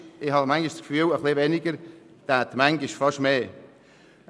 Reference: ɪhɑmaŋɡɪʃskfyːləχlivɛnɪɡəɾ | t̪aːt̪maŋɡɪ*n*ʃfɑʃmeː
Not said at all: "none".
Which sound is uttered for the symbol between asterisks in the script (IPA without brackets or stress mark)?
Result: none